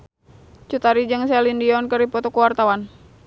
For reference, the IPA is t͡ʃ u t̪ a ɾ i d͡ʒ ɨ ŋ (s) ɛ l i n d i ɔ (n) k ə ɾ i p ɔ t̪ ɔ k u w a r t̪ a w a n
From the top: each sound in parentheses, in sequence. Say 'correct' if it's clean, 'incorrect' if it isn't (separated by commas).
correct, correct